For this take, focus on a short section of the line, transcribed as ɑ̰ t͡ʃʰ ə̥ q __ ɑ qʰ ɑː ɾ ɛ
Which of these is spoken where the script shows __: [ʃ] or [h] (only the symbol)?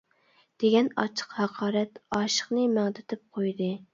h